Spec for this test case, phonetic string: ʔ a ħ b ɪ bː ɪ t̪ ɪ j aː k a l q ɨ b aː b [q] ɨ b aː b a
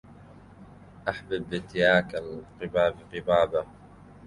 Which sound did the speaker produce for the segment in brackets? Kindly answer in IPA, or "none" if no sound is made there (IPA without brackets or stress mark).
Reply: q